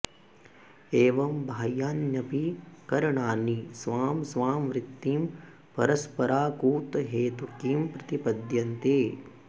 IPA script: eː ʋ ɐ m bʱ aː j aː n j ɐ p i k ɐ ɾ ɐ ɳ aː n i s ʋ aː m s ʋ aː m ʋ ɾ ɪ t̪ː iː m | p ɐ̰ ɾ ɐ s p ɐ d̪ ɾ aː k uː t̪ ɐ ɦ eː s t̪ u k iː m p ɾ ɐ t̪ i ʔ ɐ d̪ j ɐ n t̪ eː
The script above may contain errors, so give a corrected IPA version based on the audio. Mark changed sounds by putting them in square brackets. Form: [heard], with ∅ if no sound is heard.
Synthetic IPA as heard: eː ʋ ɐ m bʱ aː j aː n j ɐ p i k ɐ ɾ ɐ ɳ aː n i s ʋ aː m s ʋ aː m ʋ ɾ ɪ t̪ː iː m | p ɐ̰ ɾ ɐ s p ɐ [∅] ɾ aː k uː t̪ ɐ ɦ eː [∅] t̪ u k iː m p ɾ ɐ t̪ i [p] ɐ d̪ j ɐ n t̪ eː

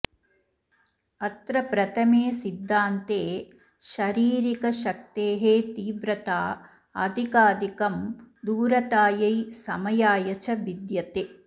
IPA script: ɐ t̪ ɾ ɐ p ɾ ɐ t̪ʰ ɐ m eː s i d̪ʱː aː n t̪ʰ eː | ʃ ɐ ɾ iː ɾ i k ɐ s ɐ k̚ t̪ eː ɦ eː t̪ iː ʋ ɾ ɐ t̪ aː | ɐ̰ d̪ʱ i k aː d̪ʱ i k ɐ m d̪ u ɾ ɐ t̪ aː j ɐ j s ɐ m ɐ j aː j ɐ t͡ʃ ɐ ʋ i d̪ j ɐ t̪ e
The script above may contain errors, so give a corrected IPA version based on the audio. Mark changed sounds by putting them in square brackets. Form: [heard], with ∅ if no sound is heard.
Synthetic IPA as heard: ɐ t̪ ɾ ɐ p ɾ ɐ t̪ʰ ɐ m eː s i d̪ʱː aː n [t̪] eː | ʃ ɐ ɾ iː ɾ i k ɐ [ʃ] ɐ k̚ t̪ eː ɦ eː t̪ iː ʋ ɾ ɐ t̪ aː | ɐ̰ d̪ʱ i k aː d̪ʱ i k ɐ m d̪ [uː] ɾ ɐ t̪ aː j ɐ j s ɐ m ɐ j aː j ɐ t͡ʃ ɐ ʋ i d̪ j ɐ t̪ e

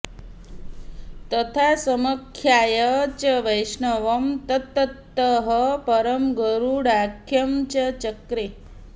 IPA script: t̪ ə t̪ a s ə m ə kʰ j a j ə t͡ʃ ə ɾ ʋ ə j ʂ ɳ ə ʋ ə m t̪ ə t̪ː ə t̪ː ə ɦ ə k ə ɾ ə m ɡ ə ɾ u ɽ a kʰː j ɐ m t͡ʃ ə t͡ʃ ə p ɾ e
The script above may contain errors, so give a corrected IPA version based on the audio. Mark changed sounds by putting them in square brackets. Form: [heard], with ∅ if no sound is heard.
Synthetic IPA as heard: t̪ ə [t̪ʰ] a s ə m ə kʰ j a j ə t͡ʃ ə [∅] ʋ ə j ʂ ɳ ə ʋ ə m t̪ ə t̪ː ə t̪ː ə ɦ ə [p] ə ɾ ə m ɡ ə ɾ u ɽ a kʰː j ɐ m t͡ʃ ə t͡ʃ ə [k] ɾ e

